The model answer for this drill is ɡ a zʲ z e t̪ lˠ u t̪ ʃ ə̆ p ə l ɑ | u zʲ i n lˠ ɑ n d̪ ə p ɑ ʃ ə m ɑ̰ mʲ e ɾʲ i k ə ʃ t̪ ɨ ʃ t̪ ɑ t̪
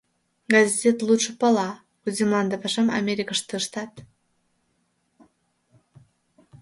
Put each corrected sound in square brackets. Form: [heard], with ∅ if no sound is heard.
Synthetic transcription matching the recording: ɡ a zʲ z e t̪ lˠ u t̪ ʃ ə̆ p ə l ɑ | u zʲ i [m] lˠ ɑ n d̪ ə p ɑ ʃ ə m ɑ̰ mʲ e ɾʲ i k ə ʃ t̪ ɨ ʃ t̪ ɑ t̪